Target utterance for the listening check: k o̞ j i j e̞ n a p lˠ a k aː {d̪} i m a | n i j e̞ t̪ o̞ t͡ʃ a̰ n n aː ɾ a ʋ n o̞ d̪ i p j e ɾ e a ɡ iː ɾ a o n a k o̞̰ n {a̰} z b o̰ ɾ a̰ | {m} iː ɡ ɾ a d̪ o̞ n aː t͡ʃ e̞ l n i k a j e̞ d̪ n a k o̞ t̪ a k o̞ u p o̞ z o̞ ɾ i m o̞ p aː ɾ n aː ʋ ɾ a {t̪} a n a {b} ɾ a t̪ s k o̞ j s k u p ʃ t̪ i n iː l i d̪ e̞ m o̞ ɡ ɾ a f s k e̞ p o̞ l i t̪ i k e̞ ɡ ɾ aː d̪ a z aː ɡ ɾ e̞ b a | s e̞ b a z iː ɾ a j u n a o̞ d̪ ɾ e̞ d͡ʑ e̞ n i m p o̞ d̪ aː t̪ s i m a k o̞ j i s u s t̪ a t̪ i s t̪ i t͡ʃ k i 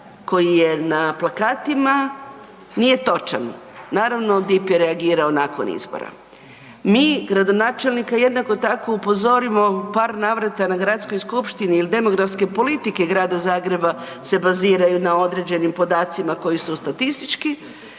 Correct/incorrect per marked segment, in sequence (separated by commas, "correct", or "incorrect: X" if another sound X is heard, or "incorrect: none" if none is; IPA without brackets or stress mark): incorrect: t̪, incorrect: ḭ, correct, correct, incorrect: ɡ